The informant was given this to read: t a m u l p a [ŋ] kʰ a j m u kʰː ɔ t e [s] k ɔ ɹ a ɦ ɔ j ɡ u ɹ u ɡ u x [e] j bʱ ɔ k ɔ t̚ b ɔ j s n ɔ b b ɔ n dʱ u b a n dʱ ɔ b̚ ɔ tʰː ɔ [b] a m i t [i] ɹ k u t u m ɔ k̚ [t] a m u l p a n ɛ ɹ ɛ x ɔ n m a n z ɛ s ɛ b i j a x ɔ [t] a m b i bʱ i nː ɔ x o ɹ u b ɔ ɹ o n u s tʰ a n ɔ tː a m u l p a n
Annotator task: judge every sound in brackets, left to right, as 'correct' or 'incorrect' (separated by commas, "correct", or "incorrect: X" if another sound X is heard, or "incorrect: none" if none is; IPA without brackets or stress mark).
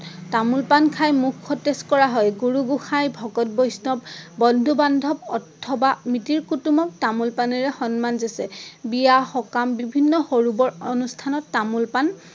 incorrect: n, correct, incorrect: a, correct, correct, correct, incorrect: k